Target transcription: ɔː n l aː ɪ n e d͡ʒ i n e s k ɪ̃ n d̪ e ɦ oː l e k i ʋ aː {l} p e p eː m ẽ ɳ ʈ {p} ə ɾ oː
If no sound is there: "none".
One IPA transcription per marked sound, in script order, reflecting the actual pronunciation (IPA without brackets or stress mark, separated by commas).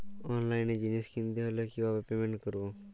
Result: none, k